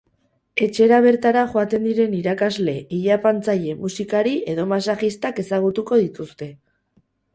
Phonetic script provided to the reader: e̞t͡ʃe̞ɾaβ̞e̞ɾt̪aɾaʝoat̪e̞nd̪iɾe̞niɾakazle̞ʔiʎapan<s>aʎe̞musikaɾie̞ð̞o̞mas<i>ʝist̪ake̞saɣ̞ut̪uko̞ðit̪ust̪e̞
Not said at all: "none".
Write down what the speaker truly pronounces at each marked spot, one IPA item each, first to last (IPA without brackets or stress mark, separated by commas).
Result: t͡s, a